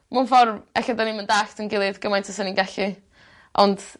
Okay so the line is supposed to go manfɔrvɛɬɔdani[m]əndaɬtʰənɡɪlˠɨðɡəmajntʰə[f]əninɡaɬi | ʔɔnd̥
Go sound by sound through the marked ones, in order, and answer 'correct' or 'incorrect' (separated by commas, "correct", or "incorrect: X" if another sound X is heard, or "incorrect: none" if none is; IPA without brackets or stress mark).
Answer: correct, incorrect: s